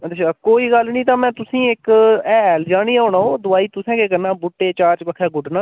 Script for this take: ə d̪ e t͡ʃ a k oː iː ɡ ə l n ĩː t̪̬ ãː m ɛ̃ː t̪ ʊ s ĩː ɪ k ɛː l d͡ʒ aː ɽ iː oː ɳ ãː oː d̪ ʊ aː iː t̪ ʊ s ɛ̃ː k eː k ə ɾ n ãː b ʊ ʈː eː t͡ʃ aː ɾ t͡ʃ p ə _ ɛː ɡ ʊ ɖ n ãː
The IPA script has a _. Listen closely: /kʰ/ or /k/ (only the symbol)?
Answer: kʰ